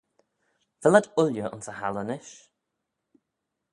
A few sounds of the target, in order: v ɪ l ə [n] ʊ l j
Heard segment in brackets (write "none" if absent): d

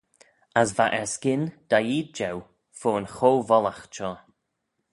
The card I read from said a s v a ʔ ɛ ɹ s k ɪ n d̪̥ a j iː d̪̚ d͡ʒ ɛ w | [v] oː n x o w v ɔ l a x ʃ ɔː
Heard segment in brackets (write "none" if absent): f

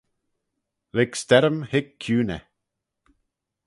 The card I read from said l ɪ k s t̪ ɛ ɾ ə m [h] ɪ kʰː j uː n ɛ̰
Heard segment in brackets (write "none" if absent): h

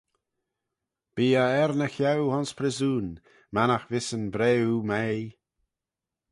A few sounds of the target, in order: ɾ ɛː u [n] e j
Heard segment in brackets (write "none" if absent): m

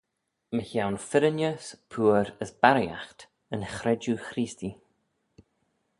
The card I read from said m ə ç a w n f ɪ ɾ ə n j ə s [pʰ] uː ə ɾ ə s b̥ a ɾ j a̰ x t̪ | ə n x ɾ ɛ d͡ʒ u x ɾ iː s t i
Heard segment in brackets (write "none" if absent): pʰ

